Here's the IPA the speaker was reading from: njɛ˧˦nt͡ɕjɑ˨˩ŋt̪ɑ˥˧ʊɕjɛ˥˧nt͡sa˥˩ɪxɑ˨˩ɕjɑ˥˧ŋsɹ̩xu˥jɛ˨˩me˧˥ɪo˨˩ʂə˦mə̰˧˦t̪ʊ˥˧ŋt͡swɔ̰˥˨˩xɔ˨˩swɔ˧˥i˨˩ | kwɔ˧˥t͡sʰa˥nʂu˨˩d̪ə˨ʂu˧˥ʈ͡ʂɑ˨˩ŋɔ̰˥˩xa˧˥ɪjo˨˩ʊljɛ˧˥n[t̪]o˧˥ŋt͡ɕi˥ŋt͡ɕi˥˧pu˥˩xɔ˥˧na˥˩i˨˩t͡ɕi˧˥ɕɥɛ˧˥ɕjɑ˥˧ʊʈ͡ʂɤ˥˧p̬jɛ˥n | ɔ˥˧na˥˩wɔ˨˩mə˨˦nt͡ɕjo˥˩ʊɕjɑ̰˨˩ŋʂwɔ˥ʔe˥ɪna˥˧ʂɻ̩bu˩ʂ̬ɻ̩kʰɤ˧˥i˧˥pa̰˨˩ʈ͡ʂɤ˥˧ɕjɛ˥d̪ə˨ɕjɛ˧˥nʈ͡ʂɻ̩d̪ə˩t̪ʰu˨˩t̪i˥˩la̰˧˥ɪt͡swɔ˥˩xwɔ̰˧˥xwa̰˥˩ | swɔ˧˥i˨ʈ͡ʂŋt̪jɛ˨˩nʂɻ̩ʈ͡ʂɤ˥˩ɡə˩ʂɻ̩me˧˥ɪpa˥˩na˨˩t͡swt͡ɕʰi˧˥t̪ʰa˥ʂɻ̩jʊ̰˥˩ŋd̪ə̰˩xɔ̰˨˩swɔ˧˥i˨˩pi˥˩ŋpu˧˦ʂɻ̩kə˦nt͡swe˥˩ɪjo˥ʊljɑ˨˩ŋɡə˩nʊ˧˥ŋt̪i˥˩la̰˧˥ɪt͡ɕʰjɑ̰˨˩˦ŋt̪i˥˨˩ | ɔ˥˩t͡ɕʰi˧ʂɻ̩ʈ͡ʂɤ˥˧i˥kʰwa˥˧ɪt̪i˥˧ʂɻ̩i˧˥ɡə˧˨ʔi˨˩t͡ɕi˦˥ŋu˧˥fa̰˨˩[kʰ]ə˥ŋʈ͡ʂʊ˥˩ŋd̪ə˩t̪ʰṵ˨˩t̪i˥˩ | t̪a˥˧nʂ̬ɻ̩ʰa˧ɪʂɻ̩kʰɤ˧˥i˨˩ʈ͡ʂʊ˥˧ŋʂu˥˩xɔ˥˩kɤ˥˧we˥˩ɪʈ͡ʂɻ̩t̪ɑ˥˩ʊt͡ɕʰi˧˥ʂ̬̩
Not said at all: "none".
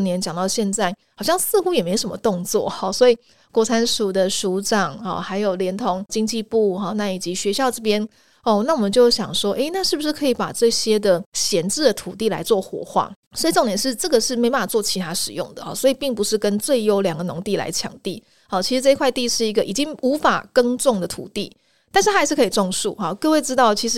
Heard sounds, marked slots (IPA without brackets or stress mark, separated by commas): t̪ʰ, k